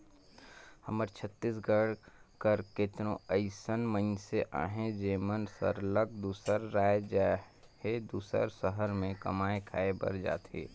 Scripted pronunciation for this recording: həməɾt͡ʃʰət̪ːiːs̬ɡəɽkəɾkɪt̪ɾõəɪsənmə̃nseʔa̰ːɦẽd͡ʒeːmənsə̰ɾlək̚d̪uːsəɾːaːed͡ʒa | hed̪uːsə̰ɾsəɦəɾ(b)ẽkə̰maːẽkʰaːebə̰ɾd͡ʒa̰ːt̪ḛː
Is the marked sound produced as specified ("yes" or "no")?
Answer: no